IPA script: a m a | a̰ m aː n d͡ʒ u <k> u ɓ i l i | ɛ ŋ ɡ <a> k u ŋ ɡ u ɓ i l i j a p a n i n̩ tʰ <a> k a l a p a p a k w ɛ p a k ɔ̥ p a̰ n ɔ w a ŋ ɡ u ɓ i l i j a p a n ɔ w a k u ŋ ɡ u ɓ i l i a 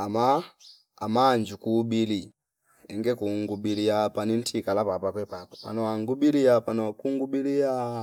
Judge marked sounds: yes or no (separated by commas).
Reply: yes, no, no